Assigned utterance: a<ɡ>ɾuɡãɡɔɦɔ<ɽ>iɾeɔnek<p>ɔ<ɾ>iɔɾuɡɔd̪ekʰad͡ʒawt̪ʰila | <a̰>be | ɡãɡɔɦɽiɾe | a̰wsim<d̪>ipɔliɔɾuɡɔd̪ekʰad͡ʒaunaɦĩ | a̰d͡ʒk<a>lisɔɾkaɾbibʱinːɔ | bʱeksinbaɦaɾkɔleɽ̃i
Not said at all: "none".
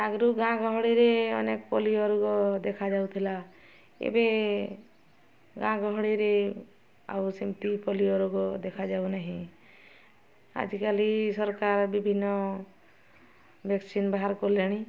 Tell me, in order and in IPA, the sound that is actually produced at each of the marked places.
ɡ, ɽ, p, l, ḛ, t̪, a

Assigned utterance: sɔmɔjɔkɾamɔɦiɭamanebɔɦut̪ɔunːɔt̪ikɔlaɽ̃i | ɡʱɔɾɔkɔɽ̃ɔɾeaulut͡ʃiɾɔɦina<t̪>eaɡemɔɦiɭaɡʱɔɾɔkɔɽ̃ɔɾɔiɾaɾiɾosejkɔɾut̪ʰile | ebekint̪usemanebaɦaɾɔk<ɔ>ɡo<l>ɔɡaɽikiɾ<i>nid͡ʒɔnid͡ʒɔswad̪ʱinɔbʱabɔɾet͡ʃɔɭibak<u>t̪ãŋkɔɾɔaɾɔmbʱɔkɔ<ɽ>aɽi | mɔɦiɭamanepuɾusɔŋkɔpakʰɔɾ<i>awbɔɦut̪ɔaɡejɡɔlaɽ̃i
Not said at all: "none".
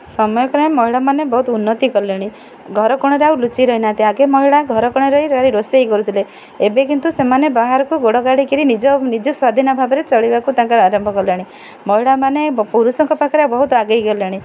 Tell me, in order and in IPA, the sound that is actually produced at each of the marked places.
t̪, u, ɽ, i, u, l, e

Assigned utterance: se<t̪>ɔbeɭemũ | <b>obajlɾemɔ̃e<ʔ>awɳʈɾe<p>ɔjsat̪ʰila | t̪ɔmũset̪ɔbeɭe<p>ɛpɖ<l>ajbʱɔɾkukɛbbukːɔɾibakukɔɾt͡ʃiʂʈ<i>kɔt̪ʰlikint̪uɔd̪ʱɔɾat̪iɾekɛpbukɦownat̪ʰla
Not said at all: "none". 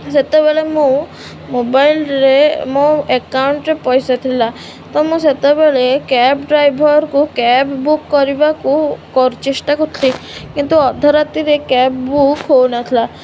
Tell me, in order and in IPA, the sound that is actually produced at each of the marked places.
t̪, m, k, p, k, ɾ, a

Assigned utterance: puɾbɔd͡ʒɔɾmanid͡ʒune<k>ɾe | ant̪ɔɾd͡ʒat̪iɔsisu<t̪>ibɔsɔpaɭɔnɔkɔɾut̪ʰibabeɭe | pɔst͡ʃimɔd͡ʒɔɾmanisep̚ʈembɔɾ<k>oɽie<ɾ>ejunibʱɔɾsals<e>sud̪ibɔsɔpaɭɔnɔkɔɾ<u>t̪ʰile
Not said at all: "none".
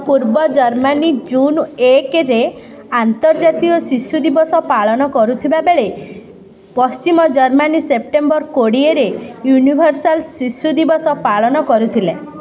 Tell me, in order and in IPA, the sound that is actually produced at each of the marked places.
k, d̪, k, ɾ, i, u

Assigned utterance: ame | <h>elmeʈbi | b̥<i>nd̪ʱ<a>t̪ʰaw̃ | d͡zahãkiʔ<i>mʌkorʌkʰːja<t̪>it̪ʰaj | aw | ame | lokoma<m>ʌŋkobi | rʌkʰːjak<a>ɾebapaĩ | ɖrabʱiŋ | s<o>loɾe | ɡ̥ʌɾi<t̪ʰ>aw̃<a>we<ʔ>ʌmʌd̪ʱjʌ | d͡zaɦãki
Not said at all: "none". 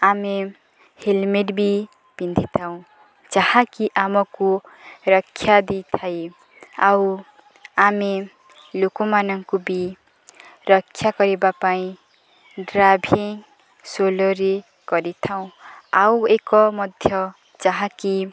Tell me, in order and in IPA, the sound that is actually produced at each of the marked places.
h, i, i, a, d̪, n, ʌ, o, t̪ʰ, a, k

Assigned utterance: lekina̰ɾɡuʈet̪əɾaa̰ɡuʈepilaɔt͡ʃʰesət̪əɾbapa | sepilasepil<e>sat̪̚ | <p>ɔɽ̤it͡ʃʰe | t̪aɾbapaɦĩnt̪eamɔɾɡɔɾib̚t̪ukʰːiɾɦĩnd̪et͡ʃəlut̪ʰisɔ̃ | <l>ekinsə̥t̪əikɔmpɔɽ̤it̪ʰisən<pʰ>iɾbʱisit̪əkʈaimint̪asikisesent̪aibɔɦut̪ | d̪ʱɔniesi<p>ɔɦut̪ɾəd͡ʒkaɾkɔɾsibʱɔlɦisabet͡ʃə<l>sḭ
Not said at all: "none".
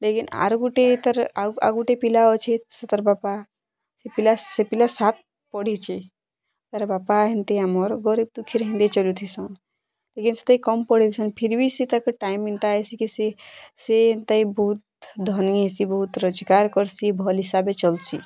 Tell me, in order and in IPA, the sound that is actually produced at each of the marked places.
a, p, l, pʰ, b, l

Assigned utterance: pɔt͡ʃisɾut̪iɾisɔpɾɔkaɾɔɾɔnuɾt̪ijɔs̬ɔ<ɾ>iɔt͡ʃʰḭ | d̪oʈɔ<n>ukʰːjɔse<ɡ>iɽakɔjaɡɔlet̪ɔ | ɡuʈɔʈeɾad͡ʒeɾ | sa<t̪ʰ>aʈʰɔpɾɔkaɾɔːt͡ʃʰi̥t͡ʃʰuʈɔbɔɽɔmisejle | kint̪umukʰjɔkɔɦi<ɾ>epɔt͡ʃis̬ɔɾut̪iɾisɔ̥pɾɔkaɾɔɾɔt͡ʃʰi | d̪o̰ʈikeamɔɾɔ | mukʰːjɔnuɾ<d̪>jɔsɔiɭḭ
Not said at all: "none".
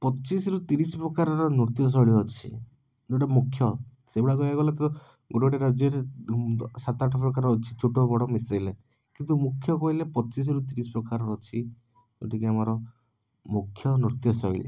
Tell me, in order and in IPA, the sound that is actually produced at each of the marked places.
ɭ, m, b, t̪, l, t̪

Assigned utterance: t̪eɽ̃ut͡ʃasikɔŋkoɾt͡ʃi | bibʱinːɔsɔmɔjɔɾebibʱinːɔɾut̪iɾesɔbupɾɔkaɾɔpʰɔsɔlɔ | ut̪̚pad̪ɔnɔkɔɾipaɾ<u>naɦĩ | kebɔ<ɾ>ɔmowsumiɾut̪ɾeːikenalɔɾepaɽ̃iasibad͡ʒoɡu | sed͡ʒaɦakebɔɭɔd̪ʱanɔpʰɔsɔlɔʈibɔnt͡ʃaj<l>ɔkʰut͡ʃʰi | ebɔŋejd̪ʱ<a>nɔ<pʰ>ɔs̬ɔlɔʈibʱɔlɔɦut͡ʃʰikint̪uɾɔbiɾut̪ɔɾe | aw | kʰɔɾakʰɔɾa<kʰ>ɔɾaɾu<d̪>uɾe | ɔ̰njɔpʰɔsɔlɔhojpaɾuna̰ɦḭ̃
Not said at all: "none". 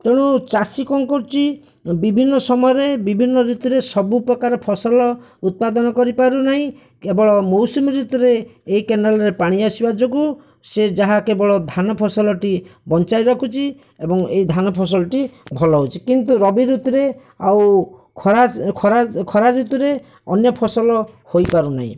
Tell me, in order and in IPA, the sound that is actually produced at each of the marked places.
u, ɭ, ɾ, a, pʰ, kʰ, t̪

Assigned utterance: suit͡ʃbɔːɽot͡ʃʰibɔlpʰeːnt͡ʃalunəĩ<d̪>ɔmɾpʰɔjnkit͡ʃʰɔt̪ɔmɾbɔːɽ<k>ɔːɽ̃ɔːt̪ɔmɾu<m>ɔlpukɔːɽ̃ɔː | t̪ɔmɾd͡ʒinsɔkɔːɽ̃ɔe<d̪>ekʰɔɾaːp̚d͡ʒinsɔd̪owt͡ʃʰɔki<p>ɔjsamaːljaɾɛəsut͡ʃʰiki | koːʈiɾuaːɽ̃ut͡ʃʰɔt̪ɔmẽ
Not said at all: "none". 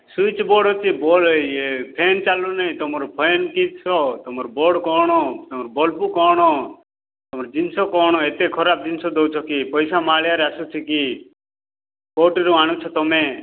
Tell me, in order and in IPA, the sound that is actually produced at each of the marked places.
t̪, k, b, t̪, p

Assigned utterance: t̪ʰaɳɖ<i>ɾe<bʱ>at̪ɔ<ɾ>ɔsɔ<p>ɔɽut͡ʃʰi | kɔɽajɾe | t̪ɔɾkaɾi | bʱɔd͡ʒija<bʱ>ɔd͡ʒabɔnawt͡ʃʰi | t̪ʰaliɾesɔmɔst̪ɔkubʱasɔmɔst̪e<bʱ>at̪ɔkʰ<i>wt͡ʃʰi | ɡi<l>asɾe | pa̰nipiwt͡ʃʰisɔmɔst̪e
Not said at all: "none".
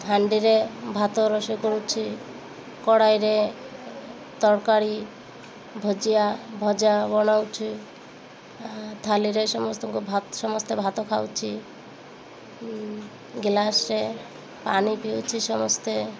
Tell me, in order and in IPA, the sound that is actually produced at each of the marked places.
i, bʱ, ɾ, k, bʱ, bʱ, a, l

